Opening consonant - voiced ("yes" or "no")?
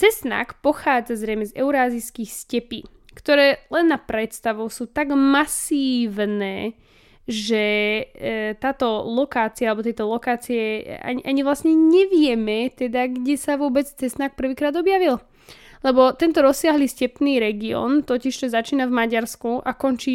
no